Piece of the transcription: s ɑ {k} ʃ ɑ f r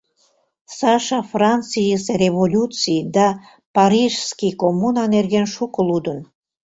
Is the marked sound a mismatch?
yes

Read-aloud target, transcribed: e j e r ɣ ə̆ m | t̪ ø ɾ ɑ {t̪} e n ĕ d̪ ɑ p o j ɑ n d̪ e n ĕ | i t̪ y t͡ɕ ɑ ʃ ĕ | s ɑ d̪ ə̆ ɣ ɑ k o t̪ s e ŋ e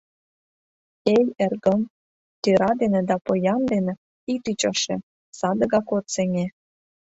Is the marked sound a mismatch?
yes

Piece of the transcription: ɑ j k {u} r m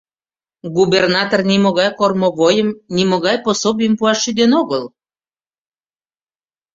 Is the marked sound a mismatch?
yes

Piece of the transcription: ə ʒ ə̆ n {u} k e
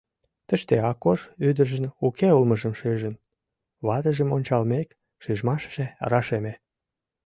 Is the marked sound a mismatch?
no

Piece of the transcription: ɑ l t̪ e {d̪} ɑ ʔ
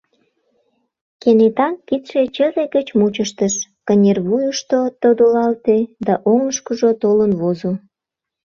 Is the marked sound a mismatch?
no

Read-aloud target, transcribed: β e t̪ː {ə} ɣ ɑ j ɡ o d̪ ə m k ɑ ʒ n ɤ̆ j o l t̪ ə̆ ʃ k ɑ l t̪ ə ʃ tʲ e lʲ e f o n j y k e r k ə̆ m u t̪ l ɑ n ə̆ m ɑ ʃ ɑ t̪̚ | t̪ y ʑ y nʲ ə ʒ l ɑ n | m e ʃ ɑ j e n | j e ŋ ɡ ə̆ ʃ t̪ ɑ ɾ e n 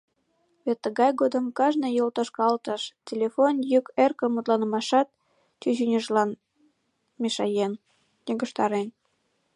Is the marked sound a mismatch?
no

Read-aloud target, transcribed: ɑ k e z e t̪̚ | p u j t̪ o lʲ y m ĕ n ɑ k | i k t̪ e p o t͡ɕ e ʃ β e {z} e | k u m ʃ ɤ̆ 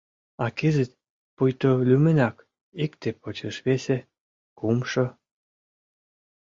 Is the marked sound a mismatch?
yes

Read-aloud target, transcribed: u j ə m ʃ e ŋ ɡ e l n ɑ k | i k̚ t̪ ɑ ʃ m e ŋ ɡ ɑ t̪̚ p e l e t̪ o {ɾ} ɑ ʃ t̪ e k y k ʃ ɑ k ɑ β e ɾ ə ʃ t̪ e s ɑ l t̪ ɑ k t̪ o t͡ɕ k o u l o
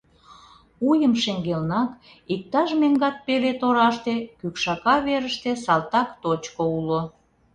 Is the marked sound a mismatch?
no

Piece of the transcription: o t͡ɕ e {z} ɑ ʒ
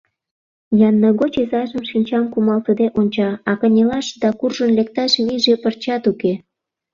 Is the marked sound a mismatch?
no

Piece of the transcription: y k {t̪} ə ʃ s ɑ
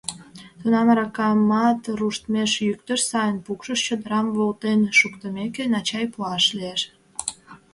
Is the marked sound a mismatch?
no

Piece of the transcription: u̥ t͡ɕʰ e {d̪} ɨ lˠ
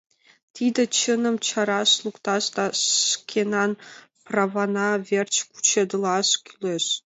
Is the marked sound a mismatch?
no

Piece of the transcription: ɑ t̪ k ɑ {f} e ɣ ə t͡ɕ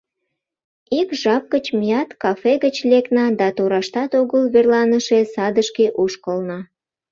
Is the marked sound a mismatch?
no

